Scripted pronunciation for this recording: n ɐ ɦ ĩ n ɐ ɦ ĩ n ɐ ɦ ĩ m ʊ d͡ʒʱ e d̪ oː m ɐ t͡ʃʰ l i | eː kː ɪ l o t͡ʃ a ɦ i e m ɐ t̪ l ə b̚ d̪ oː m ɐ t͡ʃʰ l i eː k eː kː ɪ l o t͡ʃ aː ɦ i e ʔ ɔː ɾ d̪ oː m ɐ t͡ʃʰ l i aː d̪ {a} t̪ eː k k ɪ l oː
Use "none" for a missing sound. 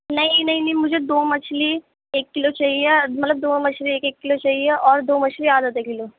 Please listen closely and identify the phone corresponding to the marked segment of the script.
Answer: ə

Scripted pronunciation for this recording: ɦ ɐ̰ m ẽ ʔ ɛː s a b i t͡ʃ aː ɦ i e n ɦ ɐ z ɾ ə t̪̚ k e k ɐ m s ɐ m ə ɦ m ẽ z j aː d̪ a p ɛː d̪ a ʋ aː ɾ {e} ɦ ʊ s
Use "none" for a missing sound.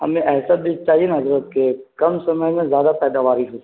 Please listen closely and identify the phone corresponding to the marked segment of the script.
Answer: i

